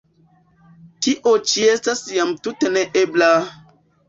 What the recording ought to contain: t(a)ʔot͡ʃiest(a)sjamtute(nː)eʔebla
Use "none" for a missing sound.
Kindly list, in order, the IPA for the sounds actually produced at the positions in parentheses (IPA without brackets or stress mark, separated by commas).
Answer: i, a, n